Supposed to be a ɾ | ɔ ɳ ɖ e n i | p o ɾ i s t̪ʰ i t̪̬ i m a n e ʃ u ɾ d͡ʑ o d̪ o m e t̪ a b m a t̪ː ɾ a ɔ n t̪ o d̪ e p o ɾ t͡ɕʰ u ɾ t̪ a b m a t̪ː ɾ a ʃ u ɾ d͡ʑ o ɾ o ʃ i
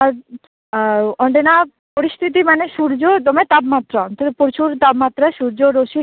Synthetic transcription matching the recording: a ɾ | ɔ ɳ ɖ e n a | p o ɾ i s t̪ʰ i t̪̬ i m a n e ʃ u ɾ d͡ʑ o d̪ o m e t̪ a b m a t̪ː ɾ a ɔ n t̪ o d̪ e p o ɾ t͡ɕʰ u ɾ t̪ a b m a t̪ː ɾ a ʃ u ɾ d͡ʑ o ɾ o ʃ i

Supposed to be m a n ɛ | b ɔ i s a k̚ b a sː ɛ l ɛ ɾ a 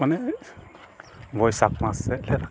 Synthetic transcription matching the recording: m a n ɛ | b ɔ j s a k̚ m a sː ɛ l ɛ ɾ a

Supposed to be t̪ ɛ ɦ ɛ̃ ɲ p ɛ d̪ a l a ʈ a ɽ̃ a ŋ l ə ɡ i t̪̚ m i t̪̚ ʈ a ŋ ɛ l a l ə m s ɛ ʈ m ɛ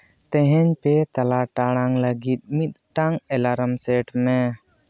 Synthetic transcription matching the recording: t̪ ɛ ɦ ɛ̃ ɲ p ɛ t̪ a l a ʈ a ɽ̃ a ŋ l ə ɡ i t̪̚ m i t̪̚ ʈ a ŋ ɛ l a ɾ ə m s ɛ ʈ m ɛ

